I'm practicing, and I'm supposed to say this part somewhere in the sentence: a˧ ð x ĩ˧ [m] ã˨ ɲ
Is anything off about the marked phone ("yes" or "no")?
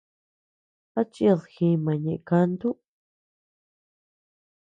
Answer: no